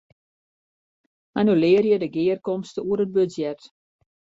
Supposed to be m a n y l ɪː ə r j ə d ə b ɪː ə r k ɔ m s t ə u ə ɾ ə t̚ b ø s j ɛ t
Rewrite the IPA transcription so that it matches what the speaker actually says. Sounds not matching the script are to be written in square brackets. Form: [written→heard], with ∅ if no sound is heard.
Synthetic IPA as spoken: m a n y l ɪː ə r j ə d ə [b→ɡ] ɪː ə r k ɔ m s t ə u ə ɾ ə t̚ b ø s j ɛ t